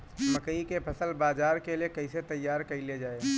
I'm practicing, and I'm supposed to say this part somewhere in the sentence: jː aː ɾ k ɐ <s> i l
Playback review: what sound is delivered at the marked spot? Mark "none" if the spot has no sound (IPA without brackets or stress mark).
none